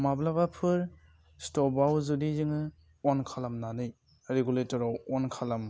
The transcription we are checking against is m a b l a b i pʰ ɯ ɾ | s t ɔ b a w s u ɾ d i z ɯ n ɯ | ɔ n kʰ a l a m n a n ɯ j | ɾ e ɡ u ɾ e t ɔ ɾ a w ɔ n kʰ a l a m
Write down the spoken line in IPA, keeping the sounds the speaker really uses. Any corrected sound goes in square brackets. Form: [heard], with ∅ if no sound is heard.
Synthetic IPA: m a b l a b [a] pʰ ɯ ɾ | s t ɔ b a w [z] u [∅] d i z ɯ [ŋ] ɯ | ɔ n kʰ a l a m n a n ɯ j | ɾ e ɡ u [l] e t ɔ ɾ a w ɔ n kʰ a l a m